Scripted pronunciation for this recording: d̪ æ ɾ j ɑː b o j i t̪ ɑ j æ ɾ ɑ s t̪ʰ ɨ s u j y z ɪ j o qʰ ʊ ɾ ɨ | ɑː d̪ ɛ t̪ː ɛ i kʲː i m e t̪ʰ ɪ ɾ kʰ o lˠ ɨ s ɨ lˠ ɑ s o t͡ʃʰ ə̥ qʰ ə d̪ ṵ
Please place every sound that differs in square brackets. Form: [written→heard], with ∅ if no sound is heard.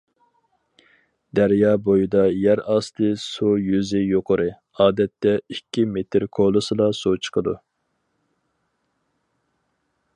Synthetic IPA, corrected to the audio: d̪ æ ɾ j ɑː b o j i [t̪→d̪] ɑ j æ ɾ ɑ s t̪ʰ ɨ s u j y z ɪ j o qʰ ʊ ɾ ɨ | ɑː d̪ ɛ t̪ː ɛ i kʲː i m e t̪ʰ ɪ ɾ kʰ o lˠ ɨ s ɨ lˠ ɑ s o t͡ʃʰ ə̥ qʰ ə d̪ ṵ